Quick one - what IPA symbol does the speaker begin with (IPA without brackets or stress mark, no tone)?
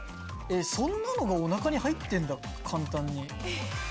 e̞